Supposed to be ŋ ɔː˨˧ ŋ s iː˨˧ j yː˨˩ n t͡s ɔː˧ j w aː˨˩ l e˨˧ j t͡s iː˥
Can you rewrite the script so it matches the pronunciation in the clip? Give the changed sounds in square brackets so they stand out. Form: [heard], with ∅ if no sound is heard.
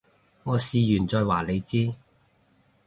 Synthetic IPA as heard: ŋ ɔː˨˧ [∅] s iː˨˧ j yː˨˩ n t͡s ɔː˧ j w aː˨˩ l e˨˧ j t͡s iː˥